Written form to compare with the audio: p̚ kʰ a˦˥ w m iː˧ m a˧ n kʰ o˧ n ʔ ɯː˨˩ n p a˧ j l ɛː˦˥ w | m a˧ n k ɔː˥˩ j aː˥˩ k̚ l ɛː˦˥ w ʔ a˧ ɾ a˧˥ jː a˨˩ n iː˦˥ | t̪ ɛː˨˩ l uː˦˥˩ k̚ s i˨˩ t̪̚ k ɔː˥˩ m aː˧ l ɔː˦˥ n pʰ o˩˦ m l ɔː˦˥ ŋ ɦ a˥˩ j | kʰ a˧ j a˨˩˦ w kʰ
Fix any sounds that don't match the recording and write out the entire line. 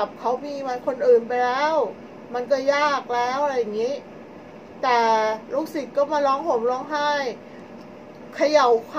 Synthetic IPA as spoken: p̚ kʰ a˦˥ w m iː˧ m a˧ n kʰ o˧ n ʔ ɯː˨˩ n p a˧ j l ɛː˦˥ w | m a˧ n k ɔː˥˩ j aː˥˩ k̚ l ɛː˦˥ w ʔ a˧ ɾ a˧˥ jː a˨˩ ŋ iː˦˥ | t̪ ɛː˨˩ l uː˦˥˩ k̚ s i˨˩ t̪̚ k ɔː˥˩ m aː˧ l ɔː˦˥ ŋ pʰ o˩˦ m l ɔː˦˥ ŋ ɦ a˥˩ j | kʰ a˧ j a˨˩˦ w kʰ